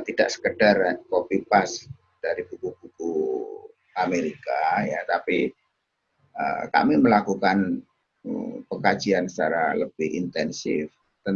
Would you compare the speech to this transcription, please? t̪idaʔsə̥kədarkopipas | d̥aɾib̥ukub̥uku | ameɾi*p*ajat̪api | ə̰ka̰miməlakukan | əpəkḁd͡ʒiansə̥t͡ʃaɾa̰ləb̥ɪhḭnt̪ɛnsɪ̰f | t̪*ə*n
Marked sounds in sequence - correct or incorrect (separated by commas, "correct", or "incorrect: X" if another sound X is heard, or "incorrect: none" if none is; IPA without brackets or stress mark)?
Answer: incorrect: k, correct